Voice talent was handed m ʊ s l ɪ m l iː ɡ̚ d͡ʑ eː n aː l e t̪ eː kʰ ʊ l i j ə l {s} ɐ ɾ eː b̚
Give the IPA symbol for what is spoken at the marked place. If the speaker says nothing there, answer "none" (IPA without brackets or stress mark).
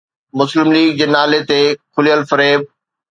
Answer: f